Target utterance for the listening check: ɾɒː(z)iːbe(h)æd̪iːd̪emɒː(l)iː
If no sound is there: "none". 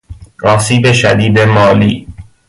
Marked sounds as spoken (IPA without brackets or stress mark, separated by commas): s, ʃ, l